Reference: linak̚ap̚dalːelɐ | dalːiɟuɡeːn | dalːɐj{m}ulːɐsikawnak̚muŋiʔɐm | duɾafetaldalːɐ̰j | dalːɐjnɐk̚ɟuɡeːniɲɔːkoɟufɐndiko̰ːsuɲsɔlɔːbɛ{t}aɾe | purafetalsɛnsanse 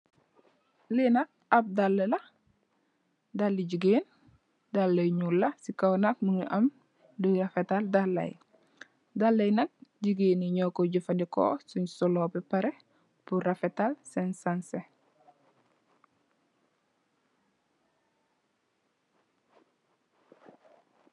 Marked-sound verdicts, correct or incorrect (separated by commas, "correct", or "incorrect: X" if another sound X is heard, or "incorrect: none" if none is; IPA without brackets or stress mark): incorrect: ɲ, incorrect: p